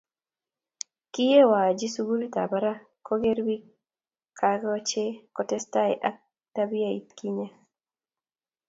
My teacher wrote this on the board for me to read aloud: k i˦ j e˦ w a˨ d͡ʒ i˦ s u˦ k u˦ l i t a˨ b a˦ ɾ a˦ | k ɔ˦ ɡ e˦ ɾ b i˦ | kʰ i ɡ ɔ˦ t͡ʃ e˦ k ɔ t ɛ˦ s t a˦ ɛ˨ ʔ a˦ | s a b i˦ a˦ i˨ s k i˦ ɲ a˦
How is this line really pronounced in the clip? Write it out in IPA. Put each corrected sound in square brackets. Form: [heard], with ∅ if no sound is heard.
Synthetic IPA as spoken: k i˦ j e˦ w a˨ d͡ʒ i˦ s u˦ [ɡ] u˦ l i t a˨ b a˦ ɾ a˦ | k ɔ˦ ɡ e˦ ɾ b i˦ | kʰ [a] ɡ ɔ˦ t͡ʃ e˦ k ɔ t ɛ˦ s t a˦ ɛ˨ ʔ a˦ | [t] a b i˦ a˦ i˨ [t] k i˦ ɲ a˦

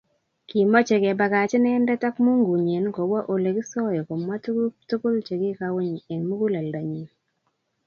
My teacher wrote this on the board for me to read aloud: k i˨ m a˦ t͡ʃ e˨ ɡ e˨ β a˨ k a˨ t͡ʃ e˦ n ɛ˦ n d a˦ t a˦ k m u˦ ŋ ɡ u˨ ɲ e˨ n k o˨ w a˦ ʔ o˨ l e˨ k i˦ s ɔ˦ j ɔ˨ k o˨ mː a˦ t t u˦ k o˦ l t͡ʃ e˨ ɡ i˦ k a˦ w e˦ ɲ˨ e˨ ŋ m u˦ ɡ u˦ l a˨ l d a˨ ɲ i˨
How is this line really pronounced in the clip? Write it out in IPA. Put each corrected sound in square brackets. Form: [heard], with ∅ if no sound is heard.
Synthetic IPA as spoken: k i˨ m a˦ t͡ʃ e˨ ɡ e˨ [b] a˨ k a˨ t͡ʃ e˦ n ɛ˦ n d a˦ t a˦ k m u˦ ŋ ɡ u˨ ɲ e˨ n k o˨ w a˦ ʔ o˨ l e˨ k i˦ s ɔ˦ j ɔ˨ k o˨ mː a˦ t t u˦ k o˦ l t͡ʃ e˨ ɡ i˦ k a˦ w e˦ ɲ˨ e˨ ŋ m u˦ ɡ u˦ l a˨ l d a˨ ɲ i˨

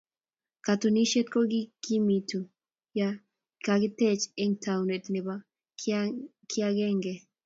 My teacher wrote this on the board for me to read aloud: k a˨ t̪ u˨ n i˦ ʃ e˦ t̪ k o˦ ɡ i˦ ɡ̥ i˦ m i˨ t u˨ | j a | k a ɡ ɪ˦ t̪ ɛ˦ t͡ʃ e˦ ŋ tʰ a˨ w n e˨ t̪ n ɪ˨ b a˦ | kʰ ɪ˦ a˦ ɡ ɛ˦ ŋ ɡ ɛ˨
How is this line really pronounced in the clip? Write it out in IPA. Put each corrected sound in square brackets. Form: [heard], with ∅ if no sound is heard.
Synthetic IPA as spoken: k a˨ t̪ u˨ n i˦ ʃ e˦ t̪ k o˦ ɡ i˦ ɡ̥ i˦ m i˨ t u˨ | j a | k a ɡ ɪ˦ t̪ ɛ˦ t͡ʃ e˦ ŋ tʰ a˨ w n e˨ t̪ n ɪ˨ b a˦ | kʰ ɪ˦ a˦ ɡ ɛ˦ ŋ ɡ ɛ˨

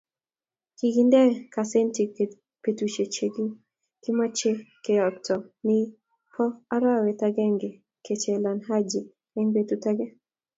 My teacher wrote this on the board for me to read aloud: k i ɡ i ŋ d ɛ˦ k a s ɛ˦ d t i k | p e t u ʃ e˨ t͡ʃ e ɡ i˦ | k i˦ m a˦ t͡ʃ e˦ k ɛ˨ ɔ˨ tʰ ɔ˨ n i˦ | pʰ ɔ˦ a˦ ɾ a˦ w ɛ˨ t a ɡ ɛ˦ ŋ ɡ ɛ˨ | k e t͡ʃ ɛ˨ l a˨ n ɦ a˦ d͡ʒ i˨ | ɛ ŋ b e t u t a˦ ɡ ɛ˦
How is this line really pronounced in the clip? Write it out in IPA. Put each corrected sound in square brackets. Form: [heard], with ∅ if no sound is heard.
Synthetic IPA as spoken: k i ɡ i [n] d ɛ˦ k a s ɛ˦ [n] t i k | p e t u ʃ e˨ t͡ʃ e ɡ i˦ | k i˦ m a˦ t͡ʃ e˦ k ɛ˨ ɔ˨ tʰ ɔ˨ n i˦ | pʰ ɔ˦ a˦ ɾ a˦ w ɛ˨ t a ɡ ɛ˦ ŋ ɡ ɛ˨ | k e t͡ʃ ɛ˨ l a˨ n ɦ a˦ d͡ʒ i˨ | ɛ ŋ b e t u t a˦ ɡ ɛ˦

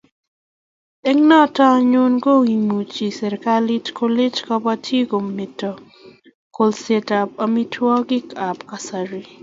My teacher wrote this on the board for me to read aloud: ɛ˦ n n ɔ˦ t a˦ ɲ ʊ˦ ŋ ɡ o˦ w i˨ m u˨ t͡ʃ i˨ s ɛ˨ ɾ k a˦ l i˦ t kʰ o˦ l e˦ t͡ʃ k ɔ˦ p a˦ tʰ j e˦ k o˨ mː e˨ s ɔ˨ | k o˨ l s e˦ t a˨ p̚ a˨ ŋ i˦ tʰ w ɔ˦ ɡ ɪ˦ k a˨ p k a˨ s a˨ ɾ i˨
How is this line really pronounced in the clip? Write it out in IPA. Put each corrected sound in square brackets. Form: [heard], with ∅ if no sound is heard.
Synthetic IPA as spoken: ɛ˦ [ŋ] n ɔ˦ t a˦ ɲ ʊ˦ [n] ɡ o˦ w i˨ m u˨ t͡ʃ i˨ s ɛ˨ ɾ k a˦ l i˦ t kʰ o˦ l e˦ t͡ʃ k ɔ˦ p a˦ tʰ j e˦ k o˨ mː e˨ [t] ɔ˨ | k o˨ l s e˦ t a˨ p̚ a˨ [m] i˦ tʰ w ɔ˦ ɡ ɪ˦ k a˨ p k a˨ s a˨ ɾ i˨

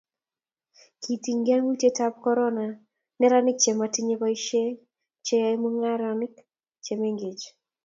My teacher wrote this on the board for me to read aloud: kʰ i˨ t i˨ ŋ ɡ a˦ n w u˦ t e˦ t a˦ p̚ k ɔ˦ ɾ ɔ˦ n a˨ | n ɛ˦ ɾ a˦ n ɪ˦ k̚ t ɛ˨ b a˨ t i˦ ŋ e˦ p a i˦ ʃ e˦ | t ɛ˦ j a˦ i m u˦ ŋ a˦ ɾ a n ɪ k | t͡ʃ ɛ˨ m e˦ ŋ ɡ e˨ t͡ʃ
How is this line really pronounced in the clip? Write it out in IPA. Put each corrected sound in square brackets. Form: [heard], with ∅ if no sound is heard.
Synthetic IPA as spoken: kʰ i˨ t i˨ ŋ ɡ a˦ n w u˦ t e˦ t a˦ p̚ k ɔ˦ ɾ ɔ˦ n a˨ | n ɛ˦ ɾ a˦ n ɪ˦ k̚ [t͡ʃ] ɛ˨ [m] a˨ t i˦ [ɲ] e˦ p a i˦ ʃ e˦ | [t͡ʃ] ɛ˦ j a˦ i m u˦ ŋ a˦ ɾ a n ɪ k | t͡ʃ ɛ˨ m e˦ ŋ ɡ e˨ t͡ʃ

